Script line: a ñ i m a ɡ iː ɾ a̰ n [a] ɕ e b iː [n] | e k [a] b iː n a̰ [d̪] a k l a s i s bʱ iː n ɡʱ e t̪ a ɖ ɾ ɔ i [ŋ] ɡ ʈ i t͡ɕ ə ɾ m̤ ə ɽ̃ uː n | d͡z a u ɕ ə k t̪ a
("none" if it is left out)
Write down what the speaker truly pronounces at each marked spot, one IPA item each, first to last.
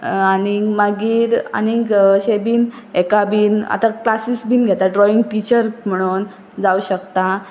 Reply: i, n, a, t̪, ŋ

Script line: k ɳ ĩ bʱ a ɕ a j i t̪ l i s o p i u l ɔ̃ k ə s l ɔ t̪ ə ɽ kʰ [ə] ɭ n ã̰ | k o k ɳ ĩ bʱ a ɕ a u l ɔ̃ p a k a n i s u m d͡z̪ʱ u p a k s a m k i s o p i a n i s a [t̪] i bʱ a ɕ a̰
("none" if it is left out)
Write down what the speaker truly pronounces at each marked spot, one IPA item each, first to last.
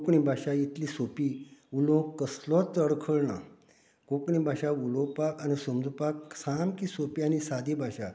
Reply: ə, d̪

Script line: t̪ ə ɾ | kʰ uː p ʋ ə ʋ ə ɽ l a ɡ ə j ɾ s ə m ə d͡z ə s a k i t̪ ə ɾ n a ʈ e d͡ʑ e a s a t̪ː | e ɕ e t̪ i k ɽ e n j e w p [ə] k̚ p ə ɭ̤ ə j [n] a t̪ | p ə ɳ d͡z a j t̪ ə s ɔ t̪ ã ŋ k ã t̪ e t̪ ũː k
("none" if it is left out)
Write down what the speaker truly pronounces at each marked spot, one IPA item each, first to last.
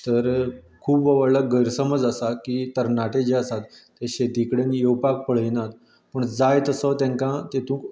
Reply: a, n

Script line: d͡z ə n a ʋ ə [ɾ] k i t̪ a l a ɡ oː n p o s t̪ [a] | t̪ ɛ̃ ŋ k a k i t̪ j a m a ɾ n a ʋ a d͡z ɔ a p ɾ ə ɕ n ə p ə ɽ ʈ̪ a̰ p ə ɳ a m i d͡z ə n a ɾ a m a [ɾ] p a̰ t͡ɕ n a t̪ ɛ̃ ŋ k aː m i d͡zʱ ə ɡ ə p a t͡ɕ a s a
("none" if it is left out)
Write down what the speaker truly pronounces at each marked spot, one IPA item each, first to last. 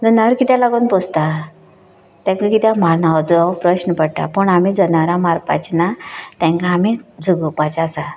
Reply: ɾ, a, ɾ

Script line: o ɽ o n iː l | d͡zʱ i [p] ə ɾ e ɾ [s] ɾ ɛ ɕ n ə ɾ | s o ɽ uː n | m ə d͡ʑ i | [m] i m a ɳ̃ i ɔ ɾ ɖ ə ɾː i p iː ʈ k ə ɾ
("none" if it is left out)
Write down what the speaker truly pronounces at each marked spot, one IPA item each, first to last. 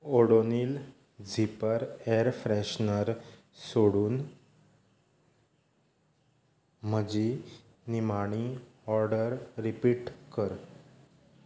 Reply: p, f, n

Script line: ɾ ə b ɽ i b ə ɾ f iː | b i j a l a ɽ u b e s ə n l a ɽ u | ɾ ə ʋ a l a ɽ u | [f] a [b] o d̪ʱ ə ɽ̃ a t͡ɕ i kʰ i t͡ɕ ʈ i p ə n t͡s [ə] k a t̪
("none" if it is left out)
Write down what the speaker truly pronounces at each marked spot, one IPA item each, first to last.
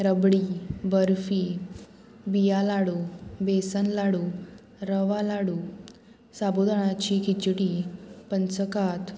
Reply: s, b, ə

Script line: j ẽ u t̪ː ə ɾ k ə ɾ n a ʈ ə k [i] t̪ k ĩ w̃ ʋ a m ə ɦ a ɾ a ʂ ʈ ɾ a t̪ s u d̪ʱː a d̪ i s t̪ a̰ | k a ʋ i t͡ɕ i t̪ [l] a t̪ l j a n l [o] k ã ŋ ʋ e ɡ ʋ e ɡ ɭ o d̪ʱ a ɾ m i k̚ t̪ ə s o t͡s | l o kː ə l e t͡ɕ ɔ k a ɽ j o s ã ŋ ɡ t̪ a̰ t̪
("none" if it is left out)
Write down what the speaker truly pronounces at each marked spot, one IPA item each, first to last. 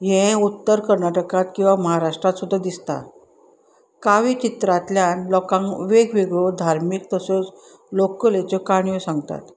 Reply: a, ɾ, ɔ

